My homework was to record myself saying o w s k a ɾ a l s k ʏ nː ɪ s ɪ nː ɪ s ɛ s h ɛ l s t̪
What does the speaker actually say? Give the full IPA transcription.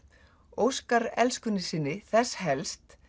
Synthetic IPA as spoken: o w s k a ɾ ɛ l s k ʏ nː ɪ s ɪ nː ɪ θ ɛ s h ɛ l s t̪